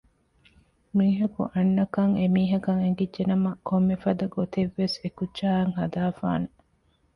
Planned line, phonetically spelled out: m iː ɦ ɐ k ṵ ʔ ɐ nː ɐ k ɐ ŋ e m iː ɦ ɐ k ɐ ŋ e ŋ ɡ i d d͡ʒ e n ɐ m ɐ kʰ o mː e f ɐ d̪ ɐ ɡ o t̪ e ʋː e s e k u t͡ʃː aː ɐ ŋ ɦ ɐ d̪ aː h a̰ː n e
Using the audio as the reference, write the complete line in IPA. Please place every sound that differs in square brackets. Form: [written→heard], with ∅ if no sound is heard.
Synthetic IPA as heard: m iː ɦ ɐ k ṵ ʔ ɐ nː ɐ k ɐ ŋ e m iː ɦ ɐ k ɐ ŋ e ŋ ɡ i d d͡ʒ e n ɐ m ɐ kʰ o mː e f ɐ d̪ ɐ ɡ o t̪ e ʋː e s e k u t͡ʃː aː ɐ ŋ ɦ ɐ d̪ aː [h→f] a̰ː n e

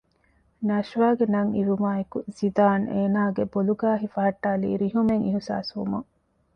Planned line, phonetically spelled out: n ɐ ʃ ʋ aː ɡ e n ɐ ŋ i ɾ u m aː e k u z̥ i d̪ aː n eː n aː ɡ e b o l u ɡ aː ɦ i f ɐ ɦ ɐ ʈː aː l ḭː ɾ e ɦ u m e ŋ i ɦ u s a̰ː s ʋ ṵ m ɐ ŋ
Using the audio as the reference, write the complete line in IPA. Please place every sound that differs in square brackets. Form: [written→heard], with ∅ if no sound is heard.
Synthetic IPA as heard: n ɐ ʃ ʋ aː ɡ e n ɐ ŋ i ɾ u m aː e k u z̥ i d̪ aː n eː n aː ɡ e b o l u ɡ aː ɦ i f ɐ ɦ ɐ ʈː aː l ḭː ɾ [e→i] ɦ u m e ŋ i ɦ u s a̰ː s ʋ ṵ m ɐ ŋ

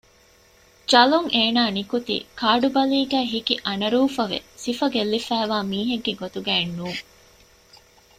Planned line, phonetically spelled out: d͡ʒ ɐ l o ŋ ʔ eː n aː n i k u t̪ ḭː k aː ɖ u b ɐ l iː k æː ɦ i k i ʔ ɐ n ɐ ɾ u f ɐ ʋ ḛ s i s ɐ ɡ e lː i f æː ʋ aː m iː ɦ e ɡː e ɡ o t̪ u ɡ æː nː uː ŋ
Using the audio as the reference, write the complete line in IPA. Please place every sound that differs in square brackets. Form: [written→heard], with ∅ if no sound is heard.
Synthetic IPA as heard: d͡ʒ ɐ l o ŋ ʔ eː n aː n i k u t̪ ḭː k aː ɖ u b ɐ l iː [k→ɡ] æː ɦ i k i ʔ ɐ n ɐ ɾ [u→uː] f ɐ ʋ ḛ s i [s→f] ɐ ɡ e lː i f æː ʋ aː m iː ɦ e ɡː e ɡ o t̪ u ɡ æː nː uː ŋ

